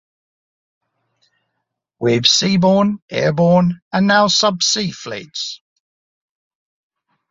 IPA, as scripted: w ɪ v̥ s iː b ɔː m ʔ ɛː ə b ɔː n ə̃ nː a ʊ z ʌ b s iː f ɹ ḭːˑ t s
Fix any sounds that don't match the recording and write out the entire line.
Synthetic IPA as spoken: w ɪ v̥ s iː b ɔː n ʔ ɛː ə b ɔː n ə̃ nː a ʊ s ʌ b s iː f l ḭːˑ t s